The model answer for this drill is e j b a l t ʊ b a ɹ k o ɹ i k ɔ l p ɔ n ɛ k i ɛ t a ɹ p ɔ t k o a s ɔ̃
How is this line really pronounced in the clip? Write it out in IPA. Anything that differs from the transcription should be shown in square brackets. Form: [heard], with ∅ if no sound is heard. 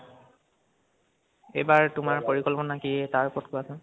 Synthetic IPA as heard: e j b a [ɹ] t ʊ [m] a ɹ [p] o ɹ i k ɔ l p ɔ n [a] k i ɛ t a ɹ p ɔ t k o a s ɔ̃